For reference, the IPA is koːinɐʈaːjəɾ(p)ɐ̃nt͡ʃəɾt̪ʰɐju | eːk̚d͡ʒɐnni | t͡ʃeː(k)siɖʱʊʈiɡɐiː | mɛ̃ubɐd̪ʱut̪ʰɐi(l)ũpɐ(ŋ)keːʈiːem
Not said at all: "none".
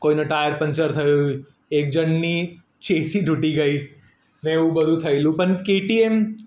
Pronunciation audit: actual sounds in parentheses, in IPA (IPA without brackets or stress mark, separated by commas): p, none, l, n